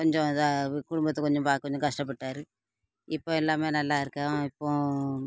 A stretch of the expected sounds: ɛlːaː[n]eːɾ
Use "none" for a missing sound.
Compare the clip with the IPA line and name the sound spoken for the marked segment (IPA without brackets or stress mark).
m